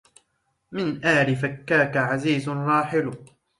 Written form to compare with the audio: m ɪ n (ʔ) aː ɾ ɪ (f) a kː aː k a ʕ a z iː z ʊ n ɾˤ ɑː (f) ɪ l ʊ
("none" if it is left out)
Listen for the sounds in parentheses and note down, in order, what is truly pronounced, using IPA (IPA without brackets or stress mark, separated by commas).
ʔ, f, ħ